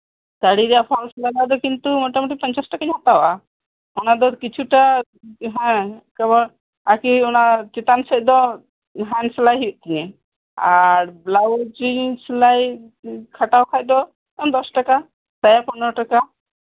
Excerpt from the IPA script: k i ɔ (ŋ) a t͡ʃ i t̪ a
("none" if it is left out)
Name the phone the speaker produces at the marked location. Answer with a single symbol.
n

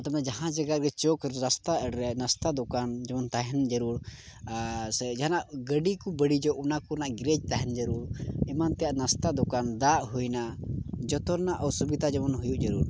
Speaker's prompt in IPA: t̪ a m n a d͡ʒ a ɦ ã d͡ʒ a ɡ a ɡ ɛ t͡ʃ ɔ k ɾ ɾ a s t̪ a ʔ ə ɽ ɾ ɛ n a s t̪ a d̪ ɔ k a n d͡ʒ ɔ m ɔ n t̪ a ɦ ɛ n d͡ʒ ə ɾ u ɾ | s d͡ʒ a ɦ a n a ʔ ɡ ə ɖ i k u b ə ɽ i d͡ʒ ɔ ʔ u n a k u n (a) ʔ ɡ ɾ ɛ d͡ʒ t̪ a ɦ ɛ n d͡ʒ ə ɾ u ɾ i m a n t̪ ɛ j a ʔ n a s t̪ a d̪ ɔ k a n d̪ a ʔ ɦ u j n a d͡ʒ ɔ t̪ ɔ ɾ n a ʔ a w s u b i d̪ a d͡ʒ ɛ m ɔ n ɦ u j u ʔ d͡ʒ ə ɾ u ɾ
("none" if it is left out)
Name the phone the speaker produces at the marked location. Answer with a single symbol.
a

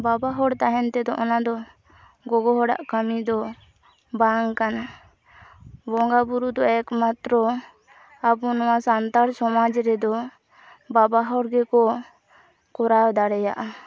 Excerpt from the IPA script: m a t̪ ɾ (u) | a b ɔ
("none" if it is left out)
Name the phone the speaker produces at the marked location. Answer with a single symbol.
ɔ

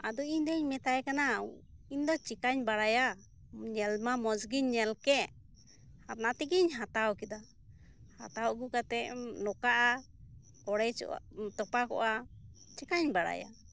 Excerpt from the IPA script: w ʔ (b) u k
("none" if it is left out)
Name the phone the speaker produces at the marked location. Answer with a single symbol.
ɡ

